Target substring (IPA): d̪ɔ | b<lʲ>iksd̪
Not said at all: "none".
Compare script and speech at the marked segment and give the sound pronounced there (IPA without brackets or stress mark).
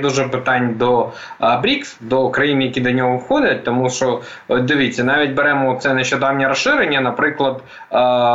ɾʲ